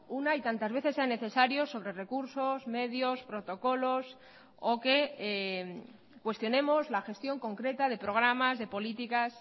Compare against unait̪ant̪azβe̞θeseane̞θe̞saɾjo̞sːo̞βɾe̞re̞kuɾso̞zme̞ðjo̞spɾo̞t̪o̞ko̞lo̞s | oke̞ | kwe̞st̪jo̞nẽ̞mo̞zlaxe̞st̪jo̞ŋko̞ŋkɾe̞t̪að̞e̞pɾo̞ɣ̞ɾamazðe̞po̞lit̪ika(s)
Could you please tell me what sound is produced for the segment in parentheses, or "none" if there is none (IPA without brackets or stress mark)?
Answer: s